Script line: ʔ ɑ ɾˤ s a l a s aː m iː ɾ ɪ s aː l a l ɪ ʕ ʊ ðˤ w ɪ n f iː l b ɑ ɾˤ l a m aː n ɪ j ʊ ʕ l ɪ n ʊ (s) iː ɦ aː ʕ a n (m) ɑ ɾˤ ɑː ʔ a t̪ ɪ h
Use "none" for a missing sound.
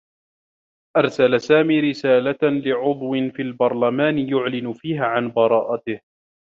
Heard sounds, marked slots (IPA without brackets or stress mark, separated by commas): f, b